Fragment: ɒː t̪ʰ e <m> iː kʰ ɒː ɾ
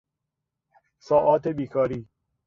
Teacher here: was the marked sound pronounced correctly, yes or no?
no